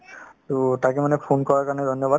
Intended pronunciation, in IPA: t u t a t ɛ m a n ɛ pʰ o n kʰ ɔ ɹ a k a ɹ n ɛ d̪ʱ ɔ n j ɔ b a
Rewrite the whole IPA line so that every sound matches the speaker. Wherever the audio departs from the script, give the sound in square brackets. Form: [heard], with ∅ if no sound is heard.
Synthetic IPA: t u t a [k] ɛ m a n ɛ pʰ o n [k] ɔ ɹ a k a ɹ n ɛ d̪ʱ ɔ n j ɔ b a